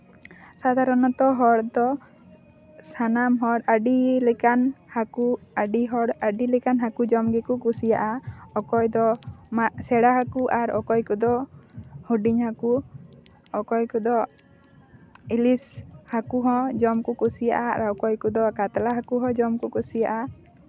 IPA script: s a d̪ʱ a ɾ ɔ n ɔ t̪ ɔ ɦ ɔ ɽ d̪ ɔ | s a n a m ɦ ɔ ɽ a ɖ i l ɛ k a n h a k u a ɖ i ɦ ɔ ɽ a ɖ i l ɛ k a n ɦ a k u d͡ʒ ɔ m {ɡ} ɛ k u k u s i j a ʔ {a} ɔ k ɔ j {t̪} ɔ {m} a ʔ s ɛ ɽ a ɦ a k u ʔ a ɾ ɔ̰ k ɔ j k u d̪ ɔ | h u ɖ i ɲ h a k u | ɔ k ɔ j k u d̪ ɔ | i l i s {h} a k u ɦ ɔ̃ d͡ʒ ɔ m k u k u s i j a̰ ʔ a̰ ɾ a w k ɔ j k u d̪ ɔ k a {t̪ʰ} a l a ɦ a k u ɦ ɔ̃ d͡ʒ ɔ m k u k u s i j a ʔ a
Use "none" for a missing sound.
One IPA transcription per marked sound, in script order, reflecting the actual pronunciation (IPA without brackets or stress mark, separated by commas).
ɡ, a, d̪, m, h, t̪